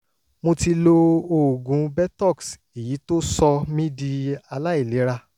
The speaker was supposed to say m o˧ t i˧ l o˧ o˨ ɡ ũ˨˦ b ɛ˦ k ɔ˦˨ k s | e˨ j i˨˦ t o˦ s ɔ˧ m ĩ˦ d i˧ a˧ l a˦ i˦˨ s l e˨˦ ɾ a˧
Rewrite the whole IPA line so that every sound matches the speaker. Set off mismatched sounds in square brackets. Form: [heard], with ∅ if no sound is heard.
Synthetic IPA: m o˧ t i˧ l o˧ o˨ ɡ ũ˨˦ b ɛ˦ [t] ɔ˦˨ k s | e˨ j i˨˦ t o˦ s ɔ˧ m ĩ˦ d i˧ a˧ l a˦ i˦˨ [∅] l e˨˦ ɾ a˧